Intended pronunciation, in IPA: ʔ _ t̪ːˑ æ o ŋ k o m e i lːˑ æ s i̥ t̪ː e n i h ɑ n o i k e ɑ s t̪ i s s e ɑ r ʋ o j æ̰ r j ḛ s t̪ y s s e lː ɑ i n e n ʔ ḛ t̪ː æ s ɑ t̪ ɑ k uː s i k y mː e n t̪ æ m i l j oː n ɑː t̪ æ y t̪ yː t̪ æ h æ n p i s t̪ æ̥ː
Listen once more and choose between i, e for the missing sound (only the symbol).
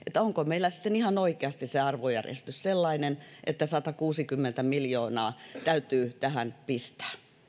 e